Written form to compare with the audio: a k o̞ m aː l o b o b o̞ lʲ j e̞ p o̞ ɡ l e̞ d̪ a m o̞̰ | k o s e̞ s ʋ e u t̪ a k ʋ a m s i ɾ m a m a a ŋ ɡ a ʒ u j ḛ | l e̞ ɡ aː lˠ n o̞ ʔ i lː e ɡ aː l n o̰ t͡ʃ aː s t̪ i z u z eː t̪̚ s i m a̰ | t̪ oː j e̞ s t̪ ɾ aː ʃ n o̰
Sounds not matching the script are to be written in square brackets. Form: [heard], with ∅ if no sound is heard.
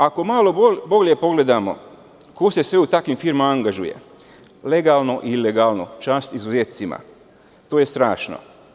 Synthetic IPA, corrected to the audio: a k o̞ m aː l o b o b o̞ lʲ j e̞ p o̞ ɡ l e̞ d̪ a m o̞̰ | k o s e̞ s ʋ e u t̪ a k ʋ [i] m [f] i ɾ m a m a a ŋ ɡ a ʒ u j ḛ | l e̞ ɡ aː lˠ n o̞ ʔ i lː e ɡ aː l n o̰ t͡ʃ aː s t̪ i z u z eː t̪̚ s i m a̰ | t̪ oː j e̞ s t̪ ɾ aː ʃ n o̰